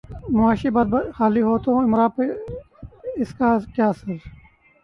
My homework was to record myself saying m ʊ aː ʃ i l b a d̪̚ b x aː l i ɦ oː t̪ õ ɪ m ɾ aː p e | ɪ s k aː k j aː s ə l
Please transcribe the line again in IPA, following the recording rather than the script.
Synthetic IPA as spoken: m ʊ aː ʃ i b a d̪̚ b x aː l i ɦ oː t̪ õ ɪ m ɾ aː p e | ɪ s k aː k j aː s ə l